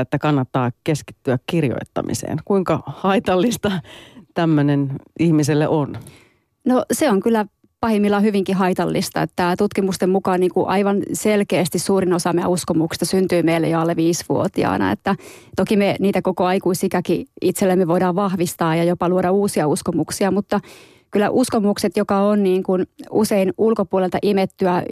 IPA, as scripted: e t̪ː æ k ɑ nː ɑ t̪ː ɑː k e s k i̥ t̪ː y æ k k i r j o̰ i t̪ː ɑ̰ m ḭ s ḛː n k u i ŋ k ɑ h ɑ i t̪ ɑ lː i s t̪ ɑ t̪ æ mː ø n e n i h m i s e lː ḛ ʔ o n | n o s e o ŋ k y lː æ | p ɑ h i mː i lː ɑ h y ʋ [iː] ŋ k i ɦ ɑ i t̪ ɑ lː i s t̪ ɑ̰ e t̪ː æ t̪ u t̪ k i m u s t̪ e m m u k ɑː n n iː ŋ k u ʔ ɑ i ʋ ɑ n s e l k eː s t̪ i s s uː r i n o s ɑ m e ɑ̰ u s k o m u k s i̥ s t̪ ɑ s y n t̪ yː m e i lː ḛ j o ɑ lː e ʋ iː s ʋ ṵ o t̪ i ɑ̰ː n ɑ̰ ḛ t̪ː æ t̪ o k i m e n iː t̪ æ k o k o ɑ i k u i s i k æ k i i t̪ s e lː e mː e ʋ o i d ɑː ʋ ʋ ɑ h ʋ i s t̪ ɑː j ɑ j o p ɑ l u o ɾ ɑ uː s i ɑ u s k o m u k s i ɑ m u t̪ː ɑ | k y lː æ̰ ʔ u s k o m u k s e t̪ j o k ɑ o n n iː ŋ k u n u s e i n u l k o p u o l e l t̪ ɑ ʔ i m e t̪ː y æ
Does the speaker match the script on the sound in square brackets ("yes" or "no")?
no